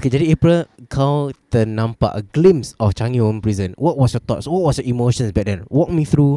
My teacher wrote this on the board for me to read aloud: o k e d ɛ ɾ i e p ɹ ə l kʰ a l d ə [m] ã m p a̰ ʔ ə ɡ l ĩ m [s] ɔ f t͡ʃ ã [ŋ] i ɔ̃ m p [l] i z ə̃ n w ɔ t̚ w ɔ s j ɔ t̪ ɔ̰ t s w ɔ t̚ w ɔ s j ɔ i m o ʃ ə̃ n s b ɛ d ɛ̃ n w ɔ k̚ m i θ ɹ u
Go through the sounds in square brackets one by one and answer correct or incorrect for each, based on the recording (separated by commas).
incorrect, correct, correct, incorrect